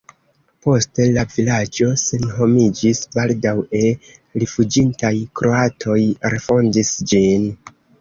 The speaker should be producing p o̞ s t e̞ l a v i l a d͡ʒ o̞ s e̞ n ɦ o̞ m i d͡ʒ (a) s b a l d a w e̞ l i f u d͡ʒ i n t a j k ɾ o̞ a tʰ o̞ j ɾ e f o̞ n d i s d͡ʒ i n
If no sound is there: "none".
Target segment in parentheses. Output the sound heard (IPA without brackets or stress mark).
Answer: i